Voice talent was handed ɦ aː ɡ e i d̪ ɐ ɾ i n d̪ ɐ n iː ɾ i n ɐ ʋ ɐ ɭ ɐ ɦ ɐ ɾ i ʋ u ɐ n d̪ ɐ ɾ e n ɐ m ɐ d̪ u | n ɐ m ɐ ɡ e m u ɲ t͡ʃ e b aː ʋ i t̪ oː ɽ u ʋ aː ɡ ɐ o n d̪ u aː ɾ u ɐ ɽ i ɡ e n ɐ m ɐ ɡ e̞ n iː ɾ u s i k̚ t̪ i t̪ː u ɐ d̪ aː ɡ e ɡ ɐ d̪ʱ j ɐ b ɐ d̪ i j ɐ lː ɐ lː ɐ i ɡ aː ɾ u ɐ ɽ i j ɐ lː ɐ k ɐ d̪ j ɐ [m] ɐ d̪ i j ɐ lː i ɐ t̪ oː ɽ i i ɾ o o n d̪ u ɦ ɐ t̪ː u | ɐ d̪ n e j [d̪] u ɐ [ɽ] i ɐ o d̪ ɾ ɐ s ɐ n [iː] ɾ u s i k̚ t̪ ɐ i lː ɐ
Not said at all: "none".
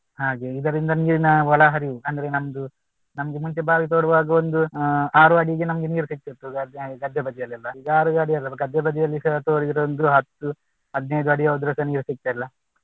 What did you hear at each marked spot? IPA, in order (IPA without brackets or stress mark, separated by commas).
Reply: b, d̪, ɽ, iː